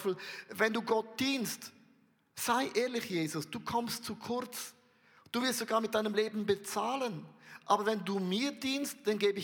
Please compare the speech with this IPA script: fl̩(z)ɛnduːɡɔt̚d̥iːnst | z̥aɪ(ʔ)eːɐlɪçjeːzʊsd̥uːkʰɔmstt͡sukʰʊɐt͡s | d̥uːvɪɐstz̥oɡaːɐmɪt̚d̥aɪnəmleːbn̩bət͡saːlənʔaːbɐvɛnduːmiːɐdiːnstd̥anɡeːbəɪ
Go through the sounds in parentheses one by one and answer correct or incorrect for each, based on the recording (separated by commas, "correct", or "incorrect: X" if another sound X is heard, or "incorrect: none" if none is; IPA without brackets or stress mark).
incorrect: v, correct